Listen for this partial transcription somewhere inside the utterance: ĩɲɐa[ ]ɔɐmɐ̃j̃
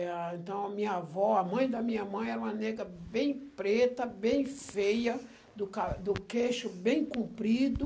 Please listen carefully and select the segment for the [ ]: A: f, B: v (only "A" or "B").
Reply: B